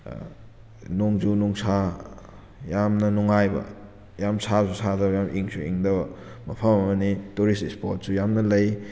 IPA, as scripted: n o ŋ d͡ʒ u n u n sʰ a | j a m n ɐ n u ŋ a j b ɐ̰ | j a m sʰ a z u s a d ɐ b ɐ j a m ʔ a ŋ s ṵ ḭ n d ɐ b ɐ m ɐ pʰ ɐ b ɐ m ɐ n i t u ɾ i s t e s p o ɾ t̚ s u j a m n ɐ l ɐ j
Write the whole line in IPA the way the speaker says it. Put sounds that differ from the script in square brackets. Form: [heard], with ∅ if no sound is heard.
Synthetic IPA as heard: n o ŋ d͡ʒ u n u [ŋ] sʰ a | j a m n ɐ n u ŋ a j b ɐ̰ | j a m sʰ a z u s a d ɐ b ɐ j a m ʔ [i] ŋ s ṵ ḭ [ŋ] d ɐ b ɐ m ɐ pʰ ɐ [m] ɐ m ɐ n i t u ɾ i s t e s p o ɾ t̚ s u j a m n ɐ l ɐ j